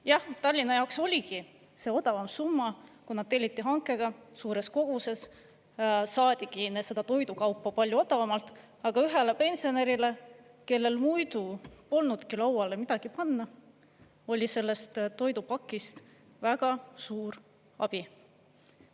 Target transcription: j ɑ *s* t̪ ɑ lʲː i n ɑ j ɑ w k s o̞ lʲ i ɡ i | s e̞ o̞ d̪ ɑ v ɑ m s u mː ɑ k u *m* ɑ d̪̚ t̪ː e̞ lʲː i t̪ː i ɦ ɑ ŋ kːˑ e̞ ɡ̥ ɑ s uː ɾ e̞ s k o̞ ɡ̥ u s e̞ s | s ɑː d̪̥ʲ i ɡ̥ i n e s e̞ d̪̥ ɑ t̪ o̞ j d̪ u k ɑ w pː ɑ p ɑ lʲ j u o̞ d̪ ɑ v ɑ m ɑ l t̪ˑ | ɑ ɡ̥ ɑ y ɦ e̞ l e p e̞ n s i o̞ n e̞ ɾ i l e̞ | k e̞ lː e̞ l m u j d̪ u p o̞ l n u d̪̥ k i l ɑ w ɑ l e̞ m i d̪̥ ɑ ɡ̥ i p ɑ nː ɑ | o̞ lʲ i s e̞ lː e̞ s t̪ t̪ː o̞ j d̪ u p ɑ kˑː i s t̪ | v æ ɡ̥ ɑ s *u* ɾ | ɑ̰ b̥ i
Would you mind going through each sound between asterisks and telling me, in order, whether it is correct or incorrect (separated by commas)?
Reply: incorrect, incorrect, incorrect